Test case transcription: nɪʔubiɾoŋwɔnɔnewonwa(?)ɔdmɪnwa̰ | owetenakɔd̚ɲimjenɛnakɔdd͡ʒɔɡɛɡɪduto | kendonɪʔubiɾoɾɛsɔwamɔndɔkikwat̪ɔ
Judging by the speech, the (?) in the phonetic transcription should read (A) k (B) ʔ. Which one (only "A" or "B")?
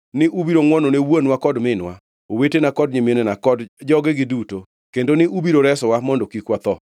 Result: A